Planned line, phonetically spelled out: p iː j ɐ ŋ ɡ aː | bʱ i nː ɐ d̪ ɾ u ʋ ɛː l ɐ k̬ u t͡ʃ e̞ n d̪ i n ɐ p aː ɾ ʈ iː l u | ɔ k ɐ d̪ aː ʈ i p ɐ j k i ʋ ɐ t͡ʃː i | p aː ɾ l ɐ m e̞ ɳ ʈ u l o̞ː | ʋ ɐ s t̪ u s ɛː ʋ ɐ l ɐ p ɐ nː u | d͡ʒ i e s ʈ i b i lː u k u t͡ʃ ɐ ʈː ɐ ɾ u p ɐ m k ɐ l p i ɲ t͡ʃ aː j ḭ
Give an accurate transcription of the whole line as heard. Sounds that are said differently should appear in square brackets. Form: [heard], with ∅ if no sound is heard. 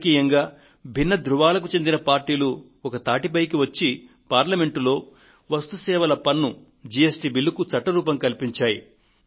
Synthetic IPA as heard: [k] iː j ɐ ŋ ɡ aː | bʱ i nː ɐ d̪ ɾ u ʋ [aː] l ɐ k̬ u t͡ʃ e̞ n d̪ i n ɐ p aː ɾ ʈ iː l u | ɔ k ɐ [t̪] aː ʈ i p ɐ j k i ʋ ɐ t͡ʃː i | p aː ɾ l ɐ m e̞ ɳ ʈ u l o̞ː | ʋ ɐ s t̪ u s ɛː ʋ ɐ l ɐ p ɐ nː u | d͡ʒ i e s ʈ i b i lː u k u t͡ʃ ɐ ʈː ɐ ɾ [uː] p ɐ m k ɐ l p i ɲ t͡ʃ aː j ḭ